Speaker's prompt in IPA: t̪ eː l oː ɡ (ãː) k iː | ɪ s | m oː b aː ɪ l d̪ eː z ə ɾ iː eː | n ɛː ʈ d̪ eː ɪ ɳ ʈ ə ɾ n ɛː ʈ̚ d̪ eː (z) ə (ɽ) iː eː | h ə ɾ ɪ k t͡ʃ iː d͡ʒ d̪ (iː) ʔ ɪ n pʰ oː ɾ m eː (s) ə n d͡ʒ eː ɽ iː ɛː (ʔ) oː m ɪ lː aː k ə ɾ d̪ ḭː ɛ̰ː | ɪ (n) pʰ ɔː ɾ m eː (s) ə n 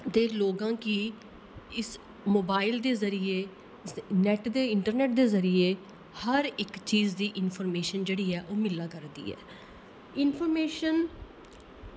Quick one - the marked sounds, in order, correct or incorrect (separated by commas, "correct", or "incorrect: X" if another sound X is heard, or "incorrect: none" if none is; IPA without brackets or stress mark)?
correct, correct, incorrect: ɾ, correct, incorrect: ʃ, correct, correct, incorrect: ʃ